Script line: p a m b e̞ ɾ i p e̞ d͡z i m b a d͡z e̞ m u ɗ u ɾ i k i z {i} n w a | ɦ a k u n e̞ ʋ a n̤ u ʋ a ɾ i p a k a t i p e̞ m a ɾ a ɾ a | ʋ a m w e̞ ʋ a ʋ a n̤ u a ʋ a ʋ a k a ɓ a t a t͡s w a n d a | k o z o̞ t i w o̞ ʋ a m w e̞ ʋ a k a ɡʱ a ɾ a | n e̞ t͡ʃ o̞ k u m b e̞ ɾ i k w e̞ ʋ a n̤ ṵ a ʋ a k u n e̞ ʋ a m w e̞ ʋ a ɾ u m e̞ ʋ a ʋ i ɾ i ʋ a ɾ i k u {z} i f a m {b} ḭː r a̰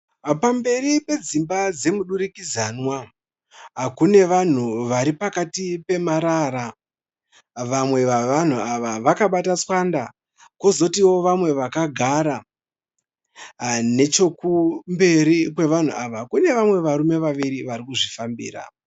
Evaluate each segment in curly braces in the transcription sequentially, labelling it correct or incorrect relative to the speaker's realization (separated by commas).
incorrect, incorrect, correct